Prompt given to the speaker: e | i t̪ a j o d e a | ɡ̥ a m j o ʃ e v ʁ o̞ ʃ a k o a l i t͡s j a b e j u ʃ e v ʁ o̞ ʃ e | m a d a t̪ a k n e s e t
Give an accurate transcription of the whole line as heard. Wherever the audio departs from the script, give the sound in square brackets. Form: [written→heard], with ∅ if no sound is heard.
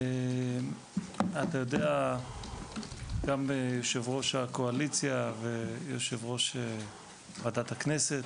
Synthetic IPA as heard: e | [i→a] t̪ a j o d e a | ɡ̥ a m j o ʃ e v ʁ o̞ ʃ a k o a l i t͡s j a [b→v] e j [u→o] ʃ e v ʁ o̞ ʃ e | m a d a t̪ a k n e s e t